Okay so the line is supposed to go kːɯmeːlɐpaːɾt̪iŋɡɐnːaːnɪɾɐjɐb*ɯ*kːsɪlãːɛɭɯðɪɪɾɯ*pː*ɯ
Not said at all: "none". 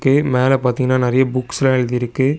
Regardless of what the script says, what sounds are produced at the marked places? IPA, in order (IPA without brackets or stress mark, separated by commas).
ʊ, kː